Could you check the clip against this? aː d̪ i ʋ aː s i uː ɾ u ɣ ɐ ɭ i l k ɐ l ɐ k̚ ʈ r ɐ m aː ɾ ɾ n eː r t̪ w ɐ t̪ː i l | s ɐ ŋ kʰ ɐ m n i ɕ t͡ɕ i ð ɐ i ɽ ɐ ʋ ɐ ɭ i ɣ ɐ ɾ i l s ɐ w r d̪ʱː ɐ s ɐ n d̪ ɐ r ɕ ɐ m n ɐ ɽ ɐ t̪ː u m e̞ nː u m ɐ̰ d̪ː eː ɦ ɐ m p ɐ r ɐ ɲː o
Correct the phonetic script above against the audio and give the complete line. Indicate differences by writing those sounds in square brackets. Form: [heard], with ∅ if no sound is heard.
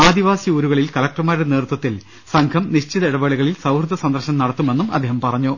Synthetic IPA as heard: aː d̪ i ʋ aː s i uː ɾ u ɣ ɐ ɭ i l k ɐ l ɐ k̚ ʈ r ɐ m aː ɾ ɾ n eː r t̪ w ɐ t̪ː i l | s ɐ ŋ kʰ ɐ m n i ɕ t͡ɕ i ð ɐ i ɽ ɐ ʋ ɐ ɭ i ɣ ɐ [ɭ] i l s ɐ w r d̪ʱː ɐ s ɐ n d̪ ɐ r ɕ ɐ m n ɐ ɽ ɐ t̪ː u m e̞ nː u m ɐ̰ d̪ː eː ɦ ɐ m p ɐ r ɐ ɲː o